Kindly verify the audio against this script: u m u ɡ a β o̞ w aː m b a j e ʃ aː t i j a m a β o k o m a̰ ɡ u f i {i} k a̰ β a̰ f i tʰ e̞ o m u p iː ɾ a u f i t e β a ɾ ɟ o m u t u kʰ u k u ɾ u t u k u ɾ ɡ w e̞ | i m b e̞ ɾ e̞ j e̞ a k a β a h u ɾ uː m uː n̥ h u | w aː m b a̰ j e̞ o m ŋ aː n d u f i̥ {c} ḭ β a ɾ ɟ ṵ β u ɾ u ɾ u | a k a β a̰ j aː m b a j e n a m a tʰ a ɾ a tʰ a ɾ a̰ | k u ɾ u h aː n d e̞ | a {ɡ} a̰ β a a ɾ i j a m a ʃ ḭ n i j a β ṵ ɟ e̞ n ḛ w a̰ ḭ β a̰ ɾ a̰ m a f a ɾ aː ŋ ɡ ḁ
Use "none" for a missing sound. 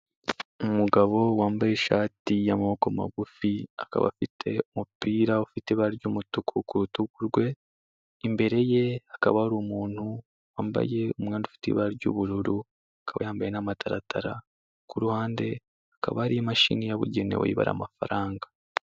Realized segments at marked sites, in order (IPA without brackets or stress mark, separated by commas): a, t, k